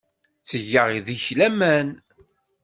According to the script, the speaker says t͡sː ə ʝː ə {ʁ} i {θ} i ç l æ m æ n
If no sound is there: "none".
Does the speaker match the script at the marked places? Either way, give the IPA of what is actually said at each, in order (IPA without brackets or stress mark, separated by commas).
ʁ, ð